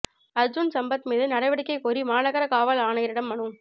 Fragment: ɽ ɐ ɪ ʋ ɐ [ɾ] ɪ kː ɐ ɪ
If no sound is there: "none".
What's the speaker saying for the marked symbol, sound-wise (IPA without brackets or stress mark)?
ɽ